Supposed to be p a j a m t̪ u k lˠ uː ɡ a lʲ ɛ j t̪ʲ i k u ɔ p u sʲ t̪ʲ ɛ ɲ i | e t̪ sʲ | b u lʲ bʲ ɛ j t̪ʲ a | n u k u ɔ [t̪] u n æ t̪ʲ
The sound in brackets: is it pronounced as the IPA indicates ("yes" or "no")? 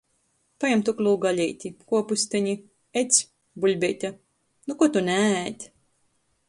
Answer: yes